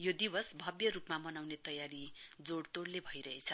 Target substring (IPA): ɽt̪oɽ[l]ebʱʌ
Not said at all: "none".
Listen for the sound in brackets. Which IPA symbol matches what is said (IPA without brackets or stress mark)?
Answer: l